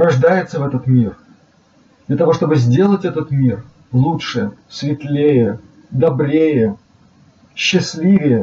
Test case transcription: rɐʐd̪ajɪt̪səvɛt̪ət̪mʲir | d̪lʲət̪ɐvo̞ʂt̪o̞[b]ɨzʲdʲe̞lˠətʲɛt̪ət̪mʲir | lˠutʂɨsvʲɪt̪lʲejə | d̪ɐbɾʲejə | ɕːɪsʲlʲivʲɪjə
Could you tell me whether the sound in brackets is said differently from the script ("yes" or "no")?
no